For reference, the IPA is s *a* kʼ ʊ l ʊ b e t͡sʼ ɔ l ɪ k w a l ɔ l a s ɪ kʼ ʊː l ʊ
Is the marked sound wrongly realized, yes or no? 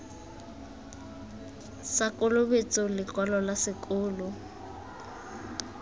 no